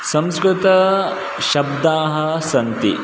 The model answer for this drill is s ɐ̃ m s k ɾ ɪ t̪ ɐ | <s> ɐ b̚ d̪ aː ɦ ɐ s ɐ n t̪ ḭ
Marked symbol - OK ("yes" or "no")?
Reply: no